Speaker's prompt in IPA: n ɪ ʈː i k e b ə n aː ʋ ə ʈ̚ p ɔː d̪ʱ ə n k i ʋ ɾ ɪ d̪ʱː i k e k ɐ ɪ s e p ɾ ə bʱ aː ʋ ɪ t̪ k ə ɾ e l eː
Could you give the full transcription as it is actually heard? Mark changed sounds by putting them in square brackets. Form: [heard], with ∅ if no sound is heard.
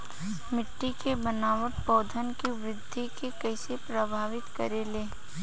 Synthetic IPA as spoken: [m] ɪ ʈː i k e b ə n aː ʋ ə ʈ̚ p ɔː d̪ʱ ə n k i ʋ ɾ ɪ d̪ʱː i k e k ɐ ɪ s e p ɾ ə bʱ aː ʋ ɪ t̪ k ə ɾ e l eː